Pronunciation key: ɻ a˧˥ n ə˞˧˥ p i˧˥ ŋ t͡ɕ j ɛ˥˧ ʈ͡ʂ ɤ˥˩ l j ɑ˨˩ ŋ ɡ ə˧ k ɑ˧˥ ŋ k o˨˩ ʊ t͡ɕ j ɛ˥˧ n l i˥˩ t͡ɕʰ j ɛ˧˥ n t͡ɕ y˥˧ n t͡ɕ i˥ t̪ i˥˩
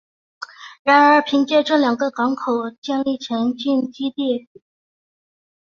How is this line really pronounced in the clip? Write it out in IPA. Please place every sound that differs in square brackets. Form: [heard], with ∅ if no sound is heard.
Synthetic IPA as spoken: ɻ a˧˥ n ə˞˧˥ [pʰ] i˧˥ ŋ t͡ɕ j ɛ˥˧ ʈ͡ʂ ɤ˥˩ l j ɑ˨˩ ŋ ɡ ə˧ k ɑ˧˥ ŋ [kʰ] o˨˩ ʊ t͡ɕ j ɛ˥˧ n l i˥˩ t͡ɕʰ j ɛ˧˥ n t͡ɕ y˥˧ n t͡ɕ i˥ t̪ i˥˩